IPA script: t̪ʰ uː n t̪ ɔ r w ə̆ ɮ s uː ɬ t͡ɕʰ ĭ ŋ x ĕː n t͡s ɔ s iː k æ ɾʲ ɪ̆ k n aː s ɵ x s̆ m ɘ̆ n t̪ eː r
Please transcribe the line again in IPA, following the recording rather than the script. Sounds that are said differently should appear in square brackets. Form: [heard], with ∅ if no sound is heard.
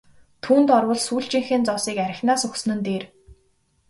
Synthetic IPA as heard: t̪ʰ uː n t̪ ɔ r w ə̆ ɮ s uː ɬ [t͡ɕ] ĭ ŋ x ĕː n t͡s ɔ s iː k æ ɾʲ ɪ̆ [x] n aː s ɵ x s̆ [n] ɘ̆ n t̪ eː r